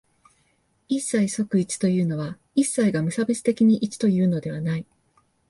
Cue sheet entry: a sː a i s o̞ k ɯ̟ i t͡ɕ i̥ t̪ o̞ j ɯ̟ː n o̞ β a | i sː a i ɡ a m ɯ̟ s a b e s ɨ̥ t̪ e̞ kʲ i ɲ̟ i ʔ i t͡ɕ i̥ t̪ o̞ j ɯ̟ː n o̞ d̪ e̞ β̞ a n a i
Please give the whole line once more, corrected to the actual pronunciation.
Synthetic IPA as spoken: i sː a i s o̞ k ɯ̟ i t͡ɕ i̥ t̪ o̞ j ɯ̟ː n o̞ β a | i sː a i ɡ a m ɯ̟ s a b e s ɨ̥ t̪ e̞ kʲ i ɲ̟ i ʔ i t͡ɕ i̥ t̪ o̞ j ɯ̟ː n o̞ d̪ e̞ β̞ a n a i

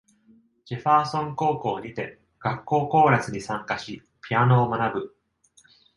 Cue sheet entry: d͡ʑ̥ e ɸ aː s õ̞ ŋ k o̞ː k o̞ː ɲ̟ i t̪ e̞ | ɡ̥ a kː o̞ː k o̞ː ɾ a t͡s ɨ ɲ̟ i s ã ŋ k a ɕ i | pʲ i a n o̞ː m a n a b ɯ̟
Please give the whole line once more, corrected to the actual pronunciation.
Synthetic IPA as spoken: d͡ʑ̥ e ɸ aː s õ̞ ŋ k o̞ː k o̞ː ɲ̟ i t̪ e̞ | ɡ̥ a kː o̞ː k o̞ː ɾ a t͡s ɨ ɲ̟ i s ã ŋ k a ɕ i | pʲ i a n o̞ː m a n a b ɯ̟

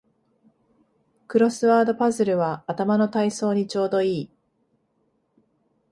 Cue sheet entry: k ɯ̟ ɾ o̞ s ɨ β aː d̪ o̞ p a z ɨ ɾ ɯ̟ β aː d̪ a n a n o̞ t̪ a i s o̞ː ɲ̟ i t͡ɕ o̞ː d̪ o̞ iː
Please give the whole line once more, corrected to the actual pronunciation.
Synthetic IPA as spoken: k ɯ̟ ɾ o̞ s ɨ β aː d̪ o̞ p a z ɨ ɾ ɯ̟ β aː t̪ a m a n o̞ t̪ a i s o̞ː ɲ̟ i t͡ɕ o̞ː d̪ o̞ iː

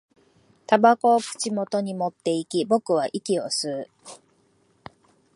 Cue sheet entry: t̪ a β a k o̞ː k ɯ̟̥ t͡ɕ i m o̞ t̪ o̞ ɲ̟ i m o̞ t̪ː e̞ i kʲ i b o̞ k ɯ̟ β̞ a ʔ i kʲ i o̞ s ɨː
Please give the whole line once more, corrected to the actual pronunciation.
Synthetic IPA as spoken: t̪ a b a k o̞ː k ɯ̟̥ t͡ɕ i m o̞ t̪ o̞ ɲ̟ i m o̞ t̪ː e̞ i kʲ i b o̞ k ɯ̟ β̞ a ʔ i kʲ i o̞ s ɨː

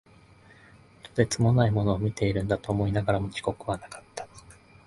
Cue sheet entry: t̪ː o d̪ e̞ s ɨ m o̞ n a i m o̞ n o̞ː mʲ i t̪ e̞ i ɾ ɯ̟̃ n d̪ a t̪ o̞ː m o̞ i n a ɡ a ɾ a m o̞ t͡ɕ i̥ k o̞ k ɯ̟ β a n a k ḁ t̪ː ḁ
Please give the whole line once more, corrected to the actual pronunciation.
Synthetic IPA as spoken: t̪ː o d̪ e̞ t͡s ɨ m o̞ n a i m o̞ n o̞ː mʲ i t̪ e̞ i ɾ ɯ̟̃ n d̪ a t̪ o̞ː m o̞ i n a ɡ a ɾ a m o̞ t͡ɕ i̥ k o̞ k ɯ̟ β a n a k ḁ t̪ː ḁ

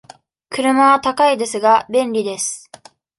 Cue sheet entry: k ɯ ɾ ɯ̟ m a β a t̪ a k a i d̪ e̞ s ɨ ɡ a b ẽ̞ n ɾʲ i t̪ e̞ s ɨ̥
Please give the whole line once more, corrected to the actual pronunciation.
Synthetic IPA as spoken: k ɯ ɾ ɯ̟ m a β a t̪ a k a i d̪ e̞ s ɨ ɡ a b ẽ̞ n ɾʲ i d̪ e̞ s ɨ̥

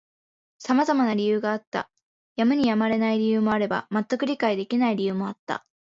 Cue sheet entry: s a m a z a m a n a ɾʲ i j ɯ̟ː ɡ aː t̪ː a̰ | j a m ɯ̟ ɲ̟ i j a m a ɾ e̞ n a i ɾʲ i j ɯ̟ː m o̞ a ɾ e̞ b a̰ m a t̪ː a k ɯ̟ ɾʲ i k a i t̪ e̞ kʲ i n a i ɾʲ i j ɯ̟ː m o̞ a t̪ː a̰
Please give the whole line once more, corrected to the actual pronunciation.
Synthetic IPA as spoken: s a m a z a m a n a ɾʲ i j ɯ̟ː ɡ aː t̪ː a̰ | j a m ɯ̟ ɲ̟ i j a m a ɾ e̞ n a i ɾʲ i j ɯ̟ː m o̞ a ɾ e̞ b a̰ m a t̪ː a k ɯ̟ ɾʲ i k a i d̪ e̞ kʲ i n a i ɾʲ i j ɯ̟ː m o̞ a t̪ː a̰

